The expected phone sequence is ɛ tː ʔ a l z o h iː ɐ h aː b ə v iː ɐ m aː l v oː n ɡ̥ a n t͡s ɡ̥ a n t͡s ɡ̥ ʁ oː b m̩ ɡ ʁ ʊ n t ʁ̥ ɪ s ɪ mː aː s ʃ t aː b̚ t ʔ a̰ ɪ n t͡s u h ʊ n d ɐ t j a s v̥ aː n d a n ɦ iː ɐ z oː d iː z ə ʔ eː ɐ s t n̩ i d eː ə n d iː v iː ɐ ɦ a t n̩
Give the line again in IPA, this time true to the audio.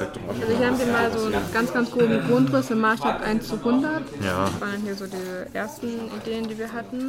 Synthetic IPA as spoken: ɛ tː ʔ a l z o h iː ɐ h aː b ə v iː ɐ m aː l z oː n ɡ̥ a n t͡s ɡ̥ a n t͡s ɡ̥ ʁ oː b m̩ ɡ ʁ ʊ n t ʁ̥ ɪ s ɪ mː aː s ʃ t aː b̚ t ʔ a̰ ɪ n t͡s u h ʊ n d ɐ t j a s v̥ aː n d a n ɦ iː ɐ z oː d iː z ə ʔ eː ɐ s t n̩ i d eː ə n d iː v iː ɐ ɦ a t n̩